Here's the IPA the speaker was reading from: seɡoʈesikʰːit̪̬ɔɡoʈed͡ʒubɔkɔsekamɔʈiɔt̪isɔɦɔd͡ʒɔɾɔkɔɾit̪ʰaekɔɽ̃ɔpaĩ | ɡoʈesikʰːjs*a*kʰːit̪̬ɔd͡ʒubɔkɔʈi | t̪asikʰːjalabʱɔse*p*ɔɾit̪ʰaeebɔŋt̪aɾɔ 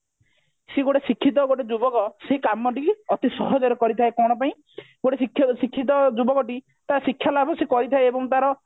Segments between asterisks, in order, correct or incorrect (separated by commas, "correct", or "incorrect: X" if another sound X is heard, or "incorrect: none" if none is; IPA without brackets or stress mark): incorrect: i, incorrect: k